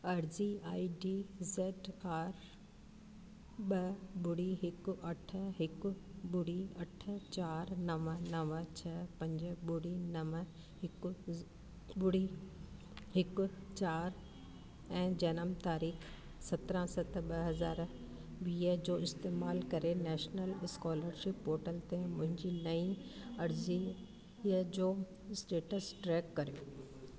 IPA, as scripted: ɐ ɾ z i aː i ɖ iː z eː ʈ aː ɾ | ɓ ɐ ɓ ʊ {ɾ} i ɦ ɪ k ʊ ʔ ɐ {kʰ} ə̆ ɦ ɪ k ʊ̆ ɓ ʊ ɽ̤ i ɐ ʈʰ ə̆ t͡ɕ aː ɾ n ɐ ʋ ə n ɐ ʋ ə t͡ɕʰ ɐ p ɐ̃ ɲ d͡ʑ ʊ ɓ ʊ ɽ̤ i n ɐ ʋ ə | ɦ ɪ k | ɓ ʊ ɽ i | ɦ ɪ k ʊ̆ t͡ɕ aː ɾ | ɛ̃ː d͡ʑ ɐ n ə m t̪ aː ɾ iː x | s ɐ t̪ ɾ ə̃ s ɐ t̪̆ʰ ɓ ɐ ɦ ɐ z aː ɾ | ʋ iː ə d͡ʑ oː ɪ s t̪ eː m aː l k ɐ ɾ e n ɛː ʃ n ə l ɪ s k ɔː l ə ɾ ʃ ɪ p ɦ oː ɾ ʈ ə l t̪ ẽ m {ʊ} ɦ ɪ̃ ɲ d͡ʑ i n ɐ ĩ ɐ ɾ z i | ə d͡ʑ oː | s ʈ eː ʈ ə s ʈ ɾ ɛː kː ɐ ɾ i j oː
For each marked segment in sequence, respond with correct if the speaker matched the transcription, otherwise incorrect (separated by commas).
incorrect, incorrect, incorrect